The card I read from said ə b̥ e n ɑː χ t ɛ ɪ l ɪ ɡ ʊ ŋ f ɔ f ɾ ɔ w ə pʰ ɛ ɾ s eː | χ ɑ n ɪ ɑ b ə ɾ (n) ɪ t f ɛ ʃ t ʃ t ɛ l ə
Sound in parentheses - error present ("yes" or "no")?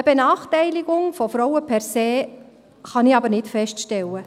no